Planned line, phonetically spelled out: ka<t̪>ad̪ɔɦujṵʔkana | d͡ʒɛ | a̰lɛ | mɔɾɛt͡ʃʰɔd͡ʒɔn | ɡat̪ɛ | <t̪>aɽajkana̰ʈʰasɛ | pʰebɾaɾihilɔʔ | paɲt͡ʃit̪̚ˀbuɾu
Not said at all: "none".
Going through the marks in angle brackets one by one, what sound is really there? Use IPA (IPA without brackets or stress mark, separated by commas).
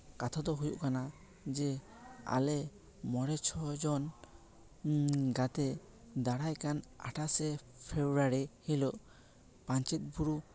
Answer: t̪ʰ, d̪